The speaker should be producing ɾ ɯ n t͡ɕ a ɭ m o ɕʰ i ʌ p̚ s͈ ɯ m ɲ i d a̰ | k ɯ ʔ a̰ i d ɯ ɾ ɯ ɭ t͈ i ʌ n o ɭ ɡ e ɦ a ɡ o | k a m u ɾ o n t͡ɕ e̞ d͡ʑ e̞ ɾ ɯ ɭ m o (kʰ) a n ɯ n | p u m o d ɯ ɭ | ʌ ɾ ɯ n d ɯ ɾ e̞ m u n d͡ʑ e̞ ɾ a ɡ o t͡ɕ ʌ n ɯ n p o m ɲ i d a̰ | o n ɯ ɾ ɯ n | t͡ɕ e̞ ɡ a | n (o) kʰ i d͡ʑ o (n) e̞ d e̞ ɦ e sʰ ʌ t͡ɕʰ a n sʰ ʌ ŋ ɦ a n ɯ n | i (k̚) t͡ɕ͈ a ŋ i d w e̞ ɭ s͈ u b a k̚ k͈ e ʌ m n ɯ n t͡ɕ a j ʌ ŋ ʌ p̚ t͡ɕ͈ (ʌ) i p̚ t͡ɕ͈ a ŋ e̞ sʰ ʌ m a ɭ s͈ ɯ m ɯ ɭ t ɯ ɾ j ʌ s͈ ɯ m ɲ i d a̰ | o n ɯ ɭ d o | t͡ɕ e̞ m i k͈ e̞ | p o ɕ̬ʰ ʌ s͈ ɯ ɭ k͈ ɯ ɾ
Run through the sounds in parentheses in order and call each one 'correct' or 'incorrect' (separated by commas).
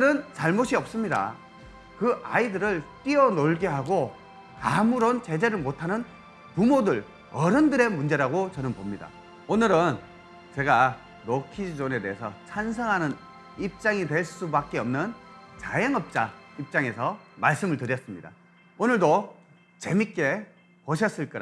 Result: incorrect, correct, correct, incorrect, incorrect